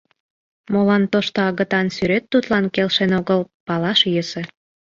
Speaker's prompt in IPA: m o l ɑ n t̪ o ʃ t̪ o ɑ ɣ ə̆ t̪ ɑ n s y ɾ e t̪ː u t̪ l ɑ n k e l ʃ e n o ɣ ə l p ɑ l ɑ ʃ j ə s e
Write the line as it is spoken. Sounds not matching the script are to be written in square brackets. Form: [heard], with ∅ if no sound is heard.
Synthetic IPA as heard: m o l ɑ n t̪ o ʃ t̪ o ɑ ɣ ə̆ t̪ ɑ n s y ɾ e t̪ː u t̪ l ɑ n k e l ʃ e n o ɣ ə l p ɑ l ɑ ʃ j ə s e